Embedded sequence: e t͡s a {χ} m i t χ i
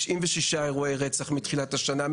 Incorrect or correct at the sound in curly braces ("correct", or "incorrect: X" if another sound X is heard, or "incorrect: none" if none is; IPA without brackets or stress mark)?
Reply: correct